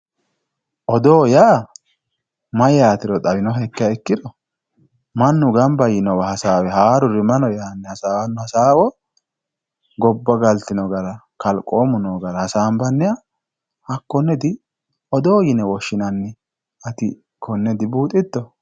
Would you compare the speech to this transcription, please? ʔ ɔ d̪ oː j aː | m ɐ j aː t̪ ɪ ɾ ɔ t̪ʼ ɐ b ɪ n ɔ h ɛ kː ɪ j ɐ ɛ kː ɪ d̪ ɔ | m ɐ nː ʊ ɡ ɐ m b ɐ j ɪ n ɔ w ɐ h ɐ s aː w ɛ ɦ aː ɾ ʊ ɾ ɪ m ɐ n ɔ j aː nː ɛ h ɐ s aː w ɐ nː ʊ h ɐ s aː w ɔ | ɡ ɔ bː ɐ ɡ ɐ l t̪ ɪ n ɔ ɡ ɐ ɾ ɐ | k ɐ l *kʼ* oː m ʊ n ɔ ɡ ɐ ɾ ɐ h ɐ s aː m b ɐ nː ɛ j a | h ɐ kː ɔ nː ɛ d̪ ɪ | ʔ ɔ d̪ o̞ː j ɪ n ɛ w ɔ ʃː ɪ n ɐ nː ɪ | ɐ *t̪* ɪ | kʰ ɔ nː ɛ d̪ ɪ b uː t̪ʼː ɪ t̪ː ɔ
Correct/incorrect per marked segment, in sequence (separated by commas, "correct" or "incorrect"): correct, correct